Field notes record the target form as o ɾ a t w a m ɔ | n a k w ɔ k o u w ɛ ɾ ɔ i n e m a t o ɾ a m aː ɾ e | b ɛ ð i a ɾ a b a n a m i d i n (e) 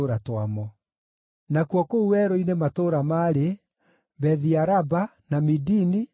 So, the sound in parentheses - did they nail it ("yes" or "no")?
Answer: no